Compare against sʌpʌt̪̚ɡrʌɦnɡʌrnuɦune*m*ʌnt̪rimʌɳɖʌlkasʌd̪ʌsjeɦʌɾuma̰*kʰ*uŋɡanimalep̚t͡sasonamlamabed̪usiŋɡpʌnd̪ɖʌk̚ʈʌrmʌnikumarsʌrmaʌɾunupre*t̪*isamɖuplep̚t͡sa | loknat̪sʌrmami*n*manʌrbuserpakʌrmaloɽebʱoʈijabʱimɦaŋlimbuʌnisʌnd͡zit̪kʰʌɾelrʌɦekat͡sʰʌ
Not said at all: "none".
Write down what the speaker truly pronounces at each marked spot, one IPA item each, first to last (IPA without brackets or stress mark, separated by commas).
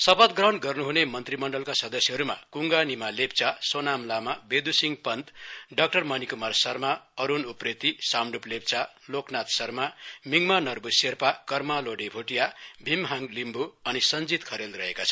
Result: m, k, t̪, ŋ